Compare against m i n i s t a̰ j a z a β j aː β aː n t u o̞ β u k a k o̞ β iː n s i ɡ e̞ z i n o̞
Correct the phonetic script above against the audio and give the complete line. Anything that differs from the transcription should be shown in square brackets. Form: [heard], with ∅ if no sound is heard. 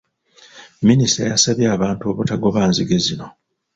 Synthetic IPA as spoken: m i n i s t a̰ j a [s] a β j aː β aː n t u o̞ β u [t] a [ɡ] o̞ β [aː] n [z] i ɡ e̞ z i n o̞